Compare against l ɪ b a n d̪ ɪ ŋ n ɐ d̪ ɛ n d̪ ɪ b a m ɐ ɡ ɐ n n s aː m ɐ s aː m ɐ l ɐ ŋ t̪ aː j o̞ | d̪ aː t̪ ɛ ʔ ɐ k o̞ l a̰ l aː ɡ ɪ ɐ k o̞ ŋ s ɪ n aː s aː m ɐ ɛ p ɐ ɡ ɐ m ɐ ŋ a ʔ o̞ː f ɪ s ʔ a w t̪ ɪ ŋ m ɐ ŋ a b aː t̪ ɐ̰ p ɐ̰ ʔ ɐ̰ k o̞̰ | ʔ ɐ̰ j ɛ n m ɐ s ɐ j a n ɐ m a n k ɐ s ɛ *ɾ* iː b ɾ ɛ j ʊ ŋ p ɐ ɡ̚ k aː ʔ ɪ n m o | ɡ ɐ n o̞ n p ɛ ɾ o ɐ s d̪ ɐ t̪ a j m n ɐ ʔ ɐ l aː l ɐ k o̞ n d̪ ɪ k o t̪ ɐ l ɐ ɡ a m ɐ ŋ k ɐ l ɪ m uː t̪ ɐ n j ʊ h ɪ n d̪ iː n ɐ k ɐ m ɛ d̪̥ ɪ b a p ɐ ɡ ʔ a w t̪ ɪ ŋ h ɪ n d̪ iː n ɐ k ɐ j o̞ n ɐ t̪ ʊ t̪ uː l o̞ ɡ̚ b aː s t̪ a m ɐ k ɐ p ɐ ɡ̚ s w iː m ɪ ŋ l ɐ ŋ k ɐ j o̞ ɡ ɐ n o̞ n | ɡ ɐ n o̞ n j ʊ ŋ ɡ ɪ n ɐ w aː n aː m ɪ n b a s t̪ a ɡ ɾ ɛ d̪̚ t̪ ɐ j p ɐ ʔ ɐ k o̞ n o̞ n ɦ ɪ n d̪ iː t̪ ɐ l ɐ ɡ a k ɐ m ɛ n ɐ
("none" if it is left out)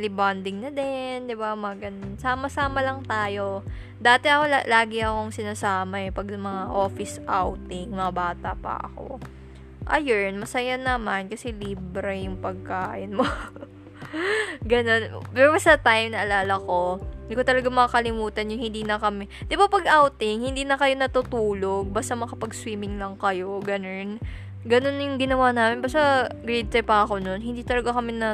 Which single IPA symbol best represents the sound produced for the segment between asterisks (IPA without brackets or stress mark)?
l